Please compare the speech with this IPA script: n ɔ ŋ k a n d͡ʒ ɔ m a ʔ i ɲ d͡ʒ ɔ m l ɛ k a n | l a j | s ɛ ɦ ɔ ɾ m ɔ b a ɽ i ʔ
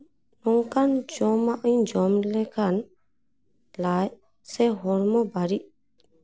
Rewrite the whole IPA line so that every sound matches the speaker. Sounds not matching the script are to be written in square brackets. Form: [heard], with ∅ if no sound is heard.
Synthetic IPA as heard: n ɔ ŋ k a n d͡ʒ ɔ m a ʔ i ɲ d͡ʒ ɔ m l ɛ k a n | l a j | s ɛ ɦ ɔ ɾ m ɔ b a [ɾ] i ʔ